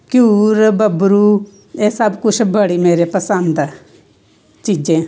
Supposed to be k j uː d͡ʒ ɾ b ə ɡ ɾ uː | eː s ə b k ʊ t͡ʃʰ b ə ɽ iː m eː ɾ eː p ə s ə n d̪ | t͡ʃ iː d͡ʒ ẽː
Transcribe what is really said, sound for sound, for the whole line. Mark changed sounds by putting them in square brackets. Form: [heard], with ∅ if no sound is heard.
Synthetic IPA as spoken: k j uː [∅] ɾ b ə [b] ɾ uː | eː s ə b k ʊ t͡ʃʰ b ə ɽ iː m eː ɾ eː p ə s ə n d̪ | t͡ʃ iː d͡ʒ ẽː